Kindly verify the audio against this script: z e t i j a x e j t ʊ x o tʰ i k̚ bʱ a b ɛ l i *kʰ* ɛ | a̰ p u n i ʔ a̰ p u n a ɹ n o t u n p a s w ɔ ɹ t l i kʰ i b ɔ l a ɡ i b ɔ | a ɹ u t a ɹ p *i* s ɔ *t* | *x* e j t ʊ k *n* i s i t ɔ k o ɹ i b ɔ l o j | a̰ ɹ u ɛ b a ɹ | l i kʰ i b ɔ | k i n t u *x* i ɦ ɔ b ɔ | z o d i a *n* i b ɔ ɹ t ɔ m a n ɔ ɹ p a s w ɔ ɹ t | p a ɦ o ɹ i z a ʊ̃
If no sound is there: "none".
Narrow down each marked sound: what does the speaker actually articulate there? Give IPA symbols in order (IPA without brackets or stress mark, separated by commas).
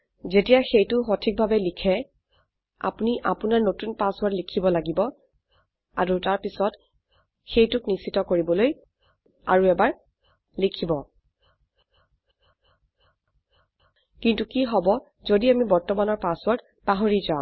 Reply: kʰ, i, t, x, n, k, m